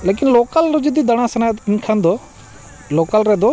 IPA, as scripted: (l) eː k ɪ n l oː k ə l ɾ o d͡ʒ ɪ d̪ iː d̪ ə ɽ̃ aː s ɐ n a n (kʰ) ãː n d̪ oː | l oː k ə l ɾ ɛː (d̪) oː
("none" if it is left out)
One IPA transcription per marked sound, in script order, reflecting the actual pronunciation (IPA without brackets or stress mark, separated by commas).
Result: l, kʰ, d̪